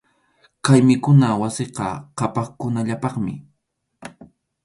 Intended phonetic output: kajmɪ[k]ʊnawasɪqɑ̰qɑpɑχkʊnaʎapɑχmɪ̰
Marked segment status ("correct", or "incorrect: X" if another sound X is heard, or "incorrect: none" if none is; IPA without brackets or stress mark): correct